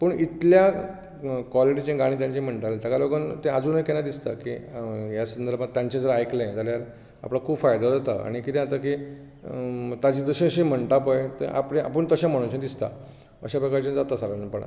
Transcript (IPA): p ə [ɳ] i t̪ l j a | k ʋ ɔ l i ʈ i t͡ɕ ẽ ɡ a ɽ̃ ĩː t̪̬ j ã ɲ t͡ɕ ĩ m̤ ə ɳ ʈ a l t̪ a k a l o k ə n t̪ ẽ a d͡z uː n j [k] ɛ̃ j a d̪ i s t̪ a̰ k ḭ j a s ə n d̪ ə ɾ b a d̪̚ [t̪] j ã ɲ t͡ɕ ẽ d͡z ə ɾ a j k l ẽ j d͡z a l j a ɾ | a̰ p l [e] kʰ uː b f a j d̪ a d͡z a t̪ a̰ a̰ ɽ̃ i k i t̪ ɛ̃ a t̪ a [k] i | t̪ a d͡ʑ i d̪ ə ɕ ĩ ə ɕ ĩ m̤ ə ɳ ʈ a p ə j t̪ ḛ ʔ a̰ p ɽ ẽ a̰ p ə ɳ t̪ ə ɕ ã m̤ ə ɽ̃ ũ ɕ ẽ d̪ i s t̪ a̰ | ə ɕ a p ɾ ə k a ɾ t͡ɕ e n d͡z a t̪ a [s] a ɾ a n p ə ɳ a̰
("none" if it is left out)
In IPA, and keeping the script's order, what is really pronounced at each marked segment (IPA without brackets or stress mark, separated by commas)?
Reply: ɳ, k, t̪, a, k, s